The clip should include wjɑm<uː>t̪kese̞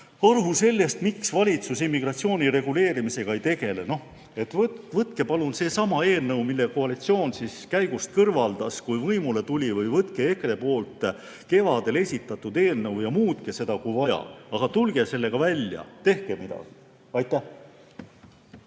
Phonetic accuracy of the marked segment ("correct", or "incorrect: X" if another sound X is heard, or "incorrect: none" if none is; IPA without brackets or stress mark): correct